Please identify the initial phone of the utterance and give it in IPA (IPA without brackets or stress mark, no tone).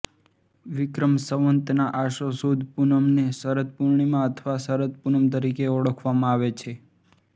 ʋ